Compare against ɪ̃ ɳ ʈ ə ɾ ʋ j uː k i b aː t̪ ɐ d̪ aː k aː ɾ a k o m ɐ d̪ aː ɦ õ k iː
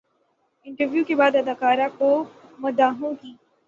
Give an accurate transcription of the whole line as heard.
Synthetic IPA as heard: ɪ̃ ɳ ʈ ə ɾ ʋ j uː k e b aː d̪ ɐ d̪ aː k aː ɾ a k o m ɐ d̪ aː ɦ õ k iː